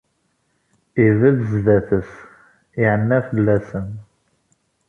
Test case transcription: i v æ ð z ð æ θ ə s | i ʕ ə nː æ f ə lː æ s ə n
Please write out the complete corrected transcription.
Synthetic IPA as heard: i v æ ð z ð æ θ ə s | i ʕ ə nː æ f ə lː æ s ə n